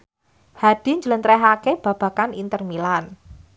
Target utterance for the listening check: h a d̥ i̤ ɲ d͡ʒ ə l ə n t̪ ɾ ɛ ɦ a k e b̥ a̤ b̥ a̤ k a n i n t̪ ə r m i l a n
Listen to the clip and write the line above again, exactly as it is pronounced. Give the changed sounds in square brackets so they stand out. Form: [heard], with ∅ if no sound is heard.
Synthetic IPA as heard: h a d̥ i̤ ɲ d͡ʒ ə l ə n t̪ ɾ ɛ ɦ a k e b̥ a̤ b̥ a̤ k a n i n t̪ ə r m i l a n